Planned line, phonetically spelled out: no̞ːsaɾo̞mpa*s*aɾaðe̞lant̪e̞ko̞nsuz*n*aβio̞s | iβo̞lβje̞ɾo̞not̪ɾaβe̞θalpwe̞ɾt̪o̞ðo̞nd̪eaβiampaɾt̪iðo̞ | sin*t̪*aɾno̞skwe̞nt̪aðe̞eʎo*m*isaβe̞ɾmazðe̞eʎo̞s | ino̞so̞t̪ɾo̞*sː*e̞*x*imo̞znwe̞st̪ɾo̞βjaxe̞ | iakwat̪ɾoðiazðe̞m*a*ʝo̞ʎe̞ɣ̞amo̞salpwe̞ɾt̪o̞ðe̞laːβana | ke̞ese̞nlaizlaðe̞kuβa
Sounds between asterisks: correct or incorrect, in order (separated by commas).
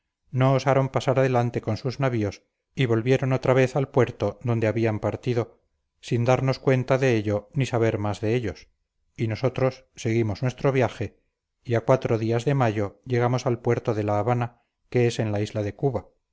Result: correct, correct, incorrect, incorrect, correct, incorrect, correct